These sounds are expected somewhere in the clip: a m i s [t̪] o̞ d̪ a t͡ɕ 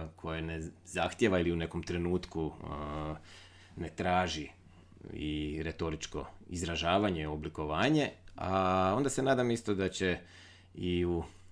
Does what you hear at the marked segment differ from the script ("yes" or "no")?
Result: no